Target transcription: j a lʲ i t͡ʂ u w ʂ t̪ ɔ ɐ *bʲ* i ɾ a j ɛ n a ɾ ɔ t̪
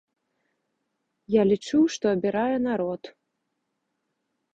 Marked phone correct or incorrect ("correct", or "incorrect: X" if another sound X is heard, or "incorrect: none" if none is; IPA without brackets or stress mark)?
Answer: correct